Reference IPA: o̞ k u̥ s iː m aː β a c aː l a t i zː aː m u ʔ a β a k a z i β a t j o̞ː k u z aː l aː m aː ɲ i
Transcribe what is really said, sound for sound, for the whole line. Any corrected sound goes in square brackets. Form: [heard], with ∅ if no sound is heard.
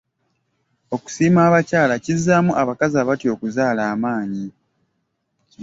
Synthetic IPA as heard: o̞ k u̥ s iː m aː β a c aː l a [c] i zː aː m u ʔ a β a k a z [a] β a t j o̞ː k u z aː l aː m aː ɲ i